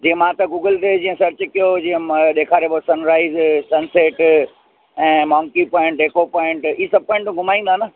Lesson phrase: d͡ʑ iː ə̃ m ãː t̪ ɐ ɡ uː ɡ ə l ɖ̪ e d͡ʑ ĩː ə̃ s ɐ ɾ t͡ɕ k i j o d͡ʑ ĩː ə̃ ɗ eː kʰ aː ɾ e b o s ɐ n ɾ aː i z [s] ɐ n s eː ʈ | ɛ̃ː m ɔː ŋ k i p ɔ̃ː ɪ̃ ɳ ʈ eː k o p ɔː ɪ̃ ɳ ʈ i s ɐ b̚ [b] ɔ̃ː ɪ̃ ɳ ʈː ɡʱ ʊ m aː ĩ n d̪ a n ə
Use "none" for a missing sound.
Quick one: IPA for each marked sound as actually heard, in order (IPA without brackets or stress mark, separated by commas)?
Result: s, p